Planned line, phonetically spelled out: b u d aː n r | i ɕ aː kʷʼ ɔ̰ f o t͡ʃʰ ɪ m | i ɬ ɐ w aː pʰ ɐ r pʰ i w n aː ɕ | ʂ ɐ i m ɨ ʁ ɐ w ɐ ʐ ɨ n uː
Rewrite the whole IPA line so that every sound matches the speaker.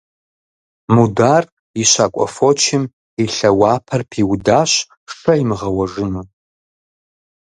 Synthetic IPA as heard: m u d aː r | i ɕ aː kʷʼ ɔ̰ f o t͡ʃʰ ɪ m | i ɬ ɐ w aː pʰ ɐ r pʰ i w d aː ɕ | ʂ ɐ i m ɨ ʁ ɐ w ɐ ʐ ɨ n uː